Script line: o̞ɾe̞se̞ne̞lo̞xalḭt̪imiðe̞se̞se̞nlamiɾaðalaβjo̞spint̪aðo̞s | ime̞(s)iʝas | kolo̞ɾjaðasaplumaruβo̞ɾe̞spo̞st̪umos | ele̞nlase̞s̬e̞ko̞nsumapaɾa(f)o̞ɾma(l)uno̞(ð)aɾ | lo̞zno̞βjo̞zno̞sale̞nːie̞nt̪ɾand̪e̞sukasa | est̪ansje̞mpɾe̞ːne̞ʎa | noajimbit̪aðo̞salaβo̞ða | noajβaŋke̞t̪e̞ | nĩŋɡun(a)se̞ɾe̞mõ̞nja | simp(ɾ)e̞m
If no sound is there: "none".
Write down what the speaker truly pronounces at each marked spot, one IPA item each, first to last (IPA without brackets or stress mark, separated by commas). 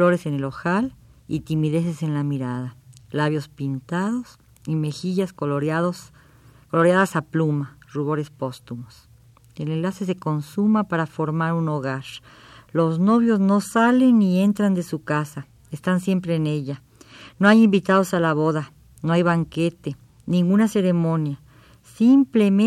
x, f, ɾ, ɣ, a, l